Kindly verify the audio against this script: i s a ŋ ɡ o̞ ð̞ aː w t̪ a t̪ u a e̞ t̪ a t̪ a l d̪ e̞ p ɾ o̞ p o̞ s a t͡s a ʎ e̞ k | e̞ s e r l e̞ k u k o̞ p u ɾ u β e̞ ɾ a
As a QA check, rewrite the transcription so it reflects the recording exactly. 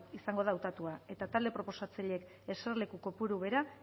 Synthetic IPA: i s a ŋ ɡ o̞ ð̞ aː w t̪ a t̪ u a e̞ t̪ a t̪ a l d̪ e̞ p ɾ o̞ p o̞ s a t͡s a ʎ e̞ k | e̞ s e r l e̞ k u k o̞ p u ɾ u β e̞ ɾ a